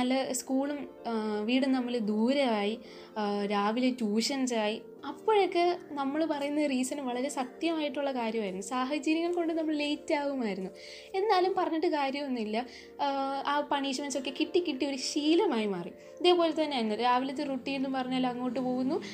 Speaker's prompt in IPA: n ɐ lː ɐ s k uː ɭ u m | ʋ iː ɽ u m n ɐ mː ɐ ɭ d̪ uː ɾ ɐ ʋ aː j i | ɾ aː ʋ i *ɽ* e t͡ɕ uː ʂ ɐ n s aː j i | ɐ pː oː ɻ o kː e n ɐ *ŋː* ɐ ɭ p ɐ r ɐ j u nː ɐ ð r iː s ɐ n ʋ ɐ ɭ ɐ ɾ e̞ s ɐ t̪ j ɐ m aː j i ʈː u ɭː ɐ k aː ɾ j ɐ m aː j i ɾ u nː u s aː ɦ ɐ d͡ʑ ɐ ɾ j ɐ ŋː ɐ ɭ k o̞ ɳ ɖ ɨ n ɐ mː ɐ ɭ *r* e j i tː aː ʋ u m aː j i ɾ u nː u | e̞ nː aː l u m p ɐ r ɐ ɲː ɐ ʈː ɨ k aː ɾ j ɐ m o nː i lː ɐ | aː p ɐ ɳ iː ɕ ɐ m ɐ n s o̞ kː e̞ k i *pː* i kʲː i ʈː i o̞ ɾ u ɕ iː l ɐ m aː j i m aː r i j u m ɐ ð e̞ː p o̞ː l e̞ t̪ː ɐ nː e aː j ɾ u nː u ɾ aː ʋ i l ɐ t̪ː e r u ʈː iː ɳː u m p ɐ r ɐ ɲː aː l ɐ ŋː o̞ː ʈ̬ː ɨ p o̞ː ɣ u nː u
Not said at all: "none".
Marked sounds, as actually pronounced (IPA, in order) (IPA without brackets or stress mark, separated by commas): l, mː, l, ʈː